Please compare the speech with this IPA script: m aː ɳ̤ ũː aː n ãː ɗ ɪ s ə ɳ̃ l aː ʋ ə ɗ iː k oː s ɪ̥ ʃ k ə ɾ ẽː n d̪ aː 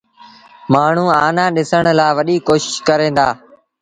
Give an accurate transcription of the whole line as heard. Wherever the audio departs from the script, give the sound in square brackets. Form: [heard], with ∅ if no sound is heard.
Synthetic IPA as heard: m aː ɳ̤ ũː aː n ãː ɗ ɪ s ə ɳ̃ l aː ʋ ə ɗ iː k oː [ʃ] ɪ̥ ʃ k ə ɾ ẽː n d̪ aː